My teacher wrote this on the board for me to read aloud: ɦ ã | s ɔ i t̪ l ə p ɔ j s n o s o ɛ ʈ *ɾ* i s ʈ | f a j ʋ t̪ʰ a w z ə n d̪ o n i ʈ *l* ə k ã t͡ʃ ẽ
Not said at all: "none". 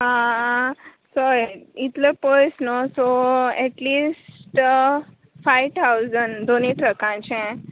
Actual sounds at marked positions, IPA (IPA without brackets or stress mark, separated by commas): l, ɾ